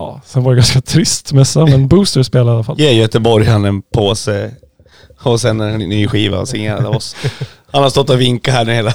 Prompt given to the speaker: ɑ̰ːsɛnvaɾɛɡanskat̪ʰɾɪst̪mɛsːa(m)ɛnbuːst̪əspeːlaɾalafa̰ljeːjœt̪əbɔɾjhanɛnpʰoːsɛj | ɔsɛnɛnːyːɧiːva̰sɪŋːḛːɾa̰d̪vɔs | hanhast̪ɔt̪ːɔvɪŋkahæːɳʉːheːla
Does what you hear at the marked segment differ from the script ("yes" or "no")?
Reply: no